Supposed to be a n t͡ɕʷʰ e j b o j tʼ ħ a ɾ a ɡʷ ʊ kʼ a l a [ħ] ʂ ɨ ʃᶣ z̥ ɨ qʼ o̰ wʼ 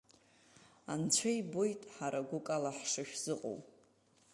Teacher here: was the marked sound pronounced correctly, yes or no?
yes